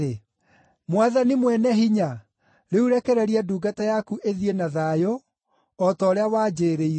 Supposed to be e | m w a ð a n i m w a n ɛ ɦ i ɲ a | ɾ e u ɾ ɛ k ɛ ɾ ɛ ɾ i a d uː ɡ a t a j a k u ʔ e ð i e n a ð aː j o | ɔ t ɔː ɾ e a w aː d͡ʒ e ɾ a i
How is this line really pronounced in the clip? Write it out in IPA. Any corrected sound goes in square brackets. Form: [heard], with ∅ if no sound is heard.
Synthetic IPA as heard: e | m w a ð a n i m w [ɛ] n ɛ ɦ i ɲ a | ɾ e u ɾ ɛ k ɛ ɾ ɛ ɾ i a d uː ɡ a t a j a k u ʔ e ð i e n a ð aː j o | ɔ t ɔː ɾ e a w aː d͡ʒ e ɾ [e] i

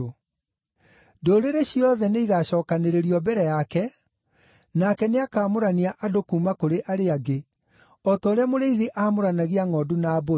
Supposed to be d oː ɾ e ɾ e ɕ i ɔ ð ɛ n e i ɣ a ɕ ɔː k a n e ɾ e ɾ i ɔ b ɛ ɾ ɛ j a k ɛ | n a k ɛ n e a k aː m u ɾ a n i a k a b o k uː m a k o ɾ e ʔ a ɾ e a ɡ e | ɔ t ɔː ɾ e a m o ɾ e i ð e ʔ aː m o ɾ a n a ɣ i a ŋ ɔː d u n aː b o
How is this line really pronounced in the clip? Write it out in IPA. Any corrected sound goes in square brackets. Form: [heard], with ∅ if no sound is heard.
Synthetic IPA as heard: d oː ɾ e ɾ e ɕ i ɔ ð ɛ n e i ɣ a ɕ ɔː k a n e ɾ e ɾ i ɔ b ɛ ɾ ɛ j a k ɛ | n a k ɛ n e a k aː m [o] ɾ a n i a [ʔ] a [d] o k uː m a k o ɾ e ʔ a ɾ e a ɡ e | ɔ t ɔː ɾ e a m o ɾ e i ð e ʔ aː m o ɾ a n a ɣ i a ŋ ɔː d u n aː b o

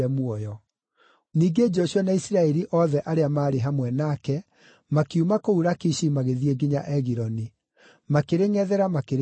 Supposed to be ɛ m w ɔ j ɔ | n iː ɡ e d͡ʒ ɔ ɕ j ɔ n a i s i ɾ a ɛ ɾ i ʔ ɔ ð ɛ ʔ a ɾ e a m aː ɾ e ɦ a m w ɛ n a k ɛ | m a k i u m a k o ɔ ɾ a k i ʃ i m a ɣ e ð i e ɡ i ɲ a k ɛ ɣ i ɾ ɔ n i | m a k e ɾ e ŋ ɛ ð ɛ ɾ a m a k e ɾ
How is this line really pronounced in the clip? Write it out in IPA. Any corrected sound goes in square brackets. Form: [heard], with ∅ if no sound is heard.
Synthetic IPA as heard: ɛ m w ɔ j ɔ | n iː ɡ e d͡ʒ ɔ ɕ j ɔ n a i s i ɾ a ɛ ɾ i ʔ ɔ ð ɛ ʔ a ɾ e a m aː ɾ e ɦ a m w ɛ n a k ɛ | m a k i u m a k o [u] ɾ a k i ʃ i m a ɣ e ð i e ɡ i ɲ a [ʔ] ɛ ɣ i ɾ ɔ n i | m a k e ɾ e ŋ ɛ ð ɛ ɾ a m a k e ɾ

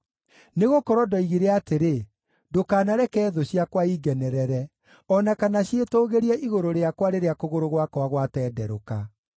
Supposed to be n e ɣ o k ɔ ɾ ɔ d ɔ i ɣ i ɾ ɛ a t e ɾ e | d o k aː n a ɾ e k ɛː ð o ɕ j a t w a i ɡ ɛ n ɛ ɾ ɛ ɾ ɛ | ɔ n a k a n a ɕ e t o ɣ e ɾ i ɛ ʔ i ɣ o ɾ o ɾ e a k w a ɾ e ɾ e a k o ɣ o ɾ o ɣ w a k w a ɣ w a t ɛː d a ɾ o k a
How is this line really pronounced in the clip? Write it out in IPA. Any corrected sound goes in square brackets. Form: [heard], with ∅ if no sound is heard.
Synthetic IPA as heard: n e ɣ o k ɔ ɾ ɔ d ɔ i ɣ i ɾ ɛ a t e ɾ e | d o k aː n a ɾ [ɛ] k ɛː ð o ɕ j a [k] w a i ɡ ɛ n ɛ ɾ ɛ ɾ ɛ | ɔ n a k a n a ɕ e t o ɣ e ɾ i ɛ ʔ i ɣ o ɾ o ɾ e a k w a ɾ e ɾ e a k o ɣ o ɾ o ɣ w a k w a ɣ w a t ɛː d [ɛ] ɾ o k a

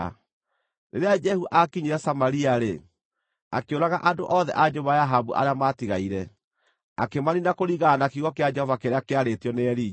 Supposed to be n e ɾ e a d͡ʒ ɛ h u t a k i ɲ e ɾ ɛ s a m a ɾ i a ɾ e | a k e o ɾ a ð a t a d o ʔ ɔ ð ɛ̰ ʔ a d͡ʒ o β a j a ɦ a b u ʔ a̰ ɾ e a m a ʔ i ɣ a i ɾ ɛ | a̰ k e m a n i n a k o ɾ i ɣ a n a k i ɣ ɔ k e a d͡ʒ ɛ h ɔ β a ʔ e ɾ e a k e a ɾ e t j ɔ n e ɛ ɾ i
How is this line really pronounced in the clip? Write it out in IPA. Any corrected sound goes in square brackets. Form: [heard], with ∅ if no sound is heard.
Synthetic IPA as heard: n e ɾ e a d͡ʒ ɛ h u [ʔ] a k i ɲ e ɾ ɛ s a m a ɾ i a ɾ e | a k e o ɾ a [ɣ] a [ʔ] a d o ʔ ɔ ð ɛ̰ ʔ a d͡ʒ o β a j a ɦ a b u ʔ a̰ ɾ e a m a [t] i ɣ a i ɾ ɛ | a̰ k e m a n i n a k o ɾ i ɣ a n a k i ɣ ɔ k e a d͡ʒ ɛ h ɔ [v] a [k] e ɾ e a k e a ɾ e t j ɔ n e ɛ ɾ i

